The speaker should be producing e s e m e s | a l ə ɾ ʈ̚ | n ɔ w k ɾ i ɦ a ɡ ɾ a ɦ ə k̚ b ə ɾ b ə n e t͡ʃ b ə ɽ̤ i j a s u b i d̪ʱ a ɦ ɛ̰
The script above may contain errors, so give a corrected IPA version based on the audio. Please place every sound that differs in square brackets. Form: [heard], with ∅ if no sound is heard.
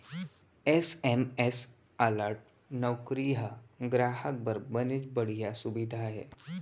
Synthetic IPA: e s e m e s | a l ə ɾ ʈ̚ | n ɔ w k ɾ i ɦ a ɡ ɾ a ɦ ə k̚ b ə ɾ b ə n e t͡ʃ b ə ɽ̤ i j a s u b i d̪ʱ a ɦ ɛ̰